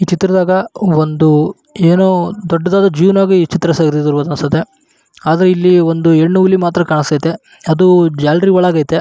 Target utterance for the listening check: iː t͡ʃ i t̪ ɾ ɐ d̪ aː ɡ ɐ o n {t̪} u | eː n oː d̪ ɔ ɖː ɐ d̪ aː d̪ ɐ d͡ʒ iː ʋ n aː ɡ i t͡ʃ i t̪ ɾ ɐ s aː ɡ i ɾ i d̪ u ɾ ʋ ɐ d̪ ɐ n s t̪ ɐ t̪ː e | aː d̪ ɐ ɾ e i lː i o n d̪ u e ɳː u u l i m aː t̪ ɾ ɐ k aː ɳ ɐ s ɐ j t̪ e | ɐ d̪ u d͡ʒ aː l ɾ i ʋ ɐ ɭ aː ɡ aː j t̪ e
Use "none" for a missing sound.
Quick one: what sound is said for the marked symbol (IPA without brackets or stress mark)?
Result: d̪